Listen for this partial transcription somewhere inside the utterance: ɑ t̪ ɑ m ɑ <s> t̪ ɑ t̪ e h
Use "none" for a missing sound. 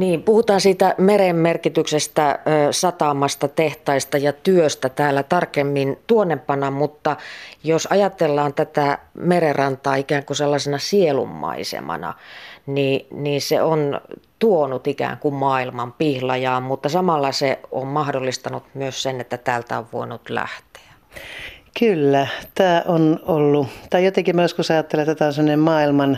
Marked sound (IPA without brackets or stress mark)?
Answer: s